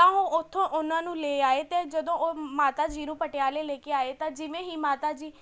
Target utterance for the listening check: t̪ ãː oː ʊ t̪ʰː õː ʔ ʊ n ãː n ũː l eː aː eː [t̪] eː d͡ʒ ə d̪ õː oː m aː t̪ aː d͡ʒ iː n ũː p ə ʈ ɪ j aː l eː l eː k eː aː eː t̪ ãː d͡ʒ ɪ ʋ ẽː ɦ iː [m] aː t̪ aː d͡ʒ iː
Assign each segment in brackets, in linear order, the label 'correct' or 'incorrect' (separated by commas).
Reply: correct, correct